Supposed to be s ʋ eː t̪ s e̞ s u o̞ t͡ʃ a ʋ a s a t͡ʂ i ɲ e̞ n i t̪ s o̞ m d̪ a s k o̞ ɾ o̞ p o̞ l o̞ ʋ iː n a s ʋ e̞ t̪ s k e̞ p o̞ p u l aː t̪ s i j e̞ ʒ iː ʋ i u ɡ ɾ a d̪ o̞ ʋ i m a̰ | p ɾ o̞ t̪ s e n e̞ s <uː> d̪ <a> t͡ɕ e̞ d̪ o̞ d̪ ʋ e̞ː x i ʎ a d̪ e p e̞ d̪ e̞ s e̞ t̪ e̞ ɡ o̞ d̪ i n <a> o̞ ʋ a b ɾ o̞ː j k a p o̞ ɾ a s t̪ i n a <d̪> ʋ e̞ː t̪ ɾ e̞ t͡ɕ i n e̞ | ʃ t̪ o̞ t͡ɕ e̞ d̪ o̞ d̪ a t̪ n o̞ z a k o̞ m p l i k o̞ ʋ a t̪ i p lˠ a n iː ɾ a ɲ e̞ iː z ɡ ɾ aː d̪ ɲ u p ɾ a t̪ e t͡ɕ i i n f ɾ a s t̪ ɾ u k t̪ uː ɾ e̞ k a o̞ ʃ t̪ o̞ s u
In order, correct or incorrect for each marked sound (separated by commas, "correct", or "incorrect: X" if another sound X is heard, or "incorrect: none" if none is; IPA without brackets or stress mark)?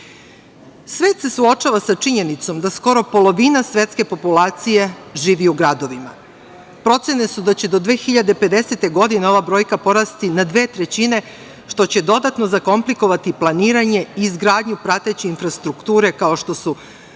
incorrect: u, correct, incorrect: e, correct